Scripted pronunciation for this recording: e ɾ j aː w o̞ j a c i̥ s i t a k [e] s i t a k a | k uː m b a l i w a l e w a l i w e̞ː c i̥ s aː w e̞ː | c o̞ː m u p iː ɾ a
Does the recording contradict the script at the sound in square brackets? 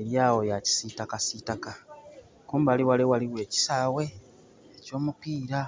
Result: yes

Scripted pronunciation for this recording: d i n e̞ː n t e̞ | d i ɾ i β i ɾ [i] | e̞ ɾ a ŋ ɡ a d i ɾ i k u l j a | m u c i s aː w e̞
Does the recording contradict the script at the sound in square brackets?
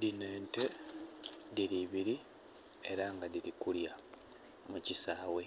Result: no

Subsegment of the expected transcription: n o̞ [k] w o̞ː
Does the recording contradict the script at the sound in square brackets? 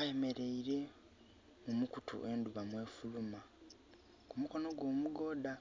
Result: yes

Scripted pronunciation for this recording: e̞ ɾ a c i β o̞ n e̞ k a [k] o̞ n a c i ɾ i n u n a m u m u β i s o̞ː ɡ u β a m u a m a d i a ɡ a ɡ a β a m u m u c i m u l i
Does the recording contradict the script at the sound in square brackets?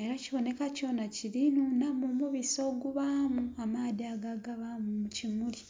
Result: yes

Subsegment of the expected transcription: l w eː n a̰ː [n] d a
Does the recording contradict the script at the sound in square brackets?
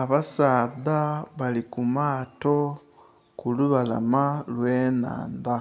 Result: no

